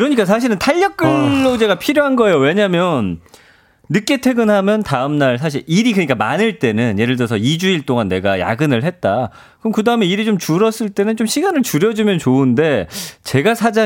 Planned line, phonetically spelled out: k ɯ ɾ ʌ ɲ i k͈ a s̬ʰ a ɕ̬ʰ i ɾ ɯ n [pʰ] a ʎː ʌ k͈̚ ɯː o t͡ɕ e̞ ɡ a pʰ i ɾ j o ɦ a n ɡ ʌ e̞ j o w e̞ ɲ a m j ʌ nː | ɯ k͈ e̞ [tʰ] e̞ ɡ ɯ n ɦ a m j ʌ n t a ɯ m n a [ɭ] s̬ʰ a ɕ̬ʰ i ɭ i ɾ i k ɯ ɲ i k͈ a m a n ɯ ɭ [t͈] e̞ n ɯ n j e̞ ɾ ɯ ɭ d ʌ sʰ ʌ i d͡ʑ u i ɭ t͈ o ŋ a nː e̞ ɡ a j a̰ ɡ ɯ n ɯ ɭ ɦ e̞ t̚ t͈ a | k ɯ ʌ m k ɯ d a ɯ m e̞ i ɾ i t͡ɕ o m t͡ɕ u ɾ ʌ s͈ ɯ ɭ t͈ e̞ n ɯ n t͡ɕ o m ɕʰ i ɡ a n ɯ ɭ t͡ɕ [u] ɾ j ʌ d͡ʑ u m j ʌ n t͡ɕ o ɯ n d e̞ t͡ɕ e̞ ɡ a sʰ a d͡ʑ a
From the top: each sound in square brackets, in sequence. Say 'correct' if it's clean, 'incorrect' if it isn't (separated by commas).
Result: incorrect, correct, correct, correct, correct